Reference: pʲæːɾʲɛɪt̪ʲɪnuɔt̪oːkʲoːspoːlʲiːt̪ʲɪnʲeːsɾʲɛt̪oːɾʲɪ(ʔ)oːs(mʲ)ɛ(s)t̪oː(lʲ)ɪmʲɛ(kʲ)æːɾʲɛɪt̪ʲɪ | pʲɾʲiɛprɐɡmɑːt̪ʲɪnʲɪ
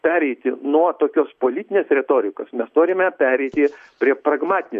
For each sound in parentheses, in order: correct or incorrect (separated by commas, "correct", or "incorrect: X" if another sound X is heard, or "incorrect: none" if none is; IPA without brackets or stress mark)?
incorrect: k, correct, correct, incorrect: ɾʲ, incorrect: pʲ